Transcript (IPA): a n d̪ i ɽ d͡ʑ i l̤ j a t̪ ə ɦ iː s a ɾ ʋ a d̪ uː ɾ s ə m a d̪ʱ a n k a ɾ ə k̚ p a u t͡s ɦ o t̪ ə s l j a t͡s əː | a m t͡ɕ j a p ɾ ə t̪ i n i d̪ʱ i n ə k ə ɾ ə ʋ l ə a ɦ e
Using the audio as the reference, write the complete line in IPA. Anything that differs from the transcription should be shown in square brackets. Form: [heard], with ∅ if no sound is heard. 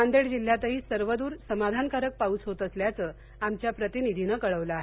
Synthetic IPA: a n d̪ [e] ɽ d͡ʑ i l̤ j a t̪ ə ɦ iː s [ə] ɾ ʋ [ə] d̪ uː ɾ s ə m a d̪ʱ a n k a ɾ ə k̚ p a u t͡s ɦ o t̪ ə s l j a t͡s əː | a m t͡ɕ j a p ɾ ə t̪ i n i d̪ʱ i n ə k ə [ɭ] ə ʋ l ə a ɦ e